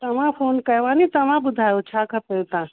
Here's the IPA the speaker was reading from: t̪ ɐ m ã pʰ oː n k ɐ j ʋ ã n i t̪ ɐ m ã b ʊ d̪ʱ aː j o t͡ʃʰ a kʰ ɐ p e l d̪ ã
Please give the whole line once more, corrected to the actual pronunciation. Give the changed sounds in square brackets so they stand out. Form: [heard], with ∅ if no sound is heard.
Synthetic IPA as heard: t̪ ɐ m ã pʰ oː n k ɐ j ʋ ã n i t̪ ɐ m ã b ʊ d̪ʱ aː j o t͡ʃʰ a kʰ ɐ p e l [t̪] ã